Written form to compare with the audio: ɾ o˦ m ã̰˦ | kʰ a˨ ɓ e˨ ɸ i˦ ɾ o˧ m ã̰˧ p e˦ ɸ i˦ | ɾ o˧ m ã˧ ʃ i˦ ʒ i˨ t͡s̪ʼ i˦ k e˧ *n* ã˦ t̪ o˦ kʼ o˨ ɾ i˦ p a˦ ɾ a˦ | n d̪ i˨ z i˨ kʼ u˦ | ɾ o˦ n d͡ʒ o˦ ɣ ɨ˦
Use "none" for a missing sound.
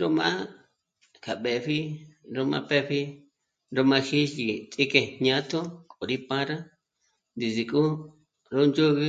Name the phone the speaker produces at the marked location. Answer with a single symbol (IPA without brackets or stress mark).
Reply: ɲ